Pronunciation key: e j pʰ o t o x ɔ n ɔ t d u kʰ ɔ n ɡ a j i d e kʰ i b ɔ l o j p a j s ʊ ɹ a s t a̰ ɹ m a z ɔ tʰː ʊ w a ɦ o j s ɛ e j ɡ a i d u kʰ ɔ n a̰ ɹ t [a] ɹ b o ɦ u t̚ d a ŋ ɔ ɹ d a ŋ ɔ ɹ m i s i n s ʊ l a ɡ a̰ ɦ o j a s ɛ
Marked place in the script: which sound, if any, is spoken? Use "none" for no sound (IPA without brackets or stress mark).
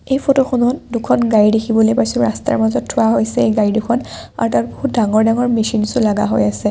a